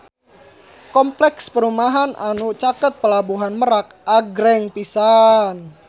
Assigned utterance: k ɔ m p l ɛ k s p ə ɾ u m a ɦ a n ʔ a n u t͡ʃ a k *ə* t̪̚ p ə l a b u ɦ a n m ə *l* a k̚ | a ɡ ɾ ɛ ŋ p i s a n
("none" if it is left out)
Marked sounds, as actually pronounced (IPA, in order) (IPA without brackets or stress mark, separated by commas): ə, ɾ